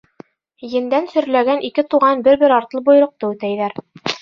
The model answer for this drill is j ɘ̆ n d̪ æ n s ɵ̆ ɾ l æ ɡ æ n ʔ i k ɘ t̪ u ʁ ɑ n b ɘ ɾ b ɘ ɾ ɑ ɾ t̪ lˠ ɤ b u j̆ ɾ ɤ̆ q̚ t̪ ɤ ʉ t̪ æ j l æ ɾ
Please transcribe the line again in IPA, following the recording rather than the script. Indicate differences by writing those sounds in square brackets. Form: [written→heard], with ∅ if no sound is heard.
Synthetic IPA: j ɘ̆ n d̪ æ n s ɵ̆ ɾ l æ ɡ æ n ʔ i k ɘ t̪ u ʁ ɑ n b ɘ ɾ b ɘ ɾ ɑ ɾ t̪ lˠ ɤ b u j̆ ɾ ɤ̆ q̚ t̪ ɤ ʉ t̪ æ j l æ ɾ